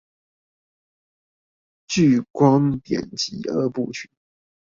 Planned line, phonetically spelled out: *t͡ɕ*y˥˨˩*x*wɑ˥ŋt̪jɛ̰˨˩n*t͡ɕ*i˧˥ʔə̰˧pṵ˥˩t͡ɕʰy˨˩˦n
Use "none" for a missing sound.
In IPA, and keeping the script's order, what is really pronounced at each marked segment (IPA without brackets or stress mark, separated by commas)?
t͡ɕ, k, t͡ɕ